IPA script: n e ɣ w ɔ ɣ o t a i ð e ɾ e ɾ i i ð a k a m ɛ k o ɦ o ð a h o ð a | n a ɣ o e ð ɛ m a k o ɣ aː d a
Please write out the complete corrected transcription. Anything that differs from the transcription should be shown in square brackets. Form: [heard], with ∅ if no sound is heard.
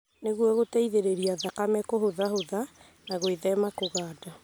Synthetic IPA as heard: n e ɣ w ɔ ɣ o t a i ð e ɾ e ɾ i [a] ð a k a m ɛ k o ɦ o ð a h o ð a | n a ɣ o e ð ɛ m a k o ɣ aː d a